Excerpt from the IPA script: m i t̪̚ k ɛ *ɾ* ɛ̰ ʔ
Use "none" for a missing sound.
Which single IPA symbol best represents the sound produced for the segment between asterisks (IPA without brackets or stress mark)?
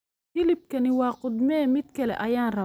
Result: l